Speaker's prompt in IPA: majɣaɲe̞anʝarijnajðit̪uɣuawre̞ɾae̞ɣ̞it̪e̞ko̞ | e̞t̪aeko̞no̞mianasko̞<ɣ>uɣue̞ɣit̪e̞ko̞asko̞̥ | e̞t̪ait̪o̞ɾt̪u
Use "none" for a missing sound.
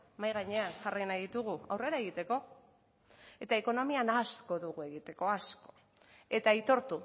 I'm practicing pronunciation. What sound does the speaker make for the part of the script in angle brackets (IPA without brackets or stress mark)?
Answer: ð